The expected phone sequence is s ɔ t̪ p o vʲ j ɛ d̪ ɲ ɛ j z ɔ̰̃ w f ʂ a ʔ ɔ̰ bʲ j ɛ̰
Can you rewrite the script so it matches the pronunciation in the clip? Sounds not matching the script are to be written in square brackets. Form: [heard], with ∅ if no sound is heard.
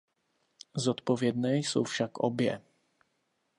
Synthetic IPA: [z] ɔ t̪ p [ɔ] vʲ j ɛ d̪ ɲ ɛ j [s] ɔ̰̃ w f ʂ a [k] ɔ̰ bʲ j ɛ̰